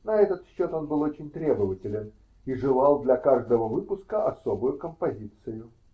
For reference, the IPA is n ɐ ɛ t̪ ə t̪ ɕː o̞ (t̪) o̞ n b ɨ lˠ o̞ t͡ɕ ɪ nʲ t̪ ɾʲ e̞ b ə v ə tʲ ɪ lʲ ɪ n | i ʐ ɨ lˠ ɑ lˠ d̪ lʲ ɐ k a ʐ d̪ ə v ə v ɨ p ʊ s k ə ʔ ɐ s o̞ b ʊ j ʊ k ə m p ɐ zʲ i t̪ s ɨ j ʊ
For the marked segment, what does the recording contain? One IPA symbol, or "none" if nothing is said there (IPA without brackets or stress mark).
t̪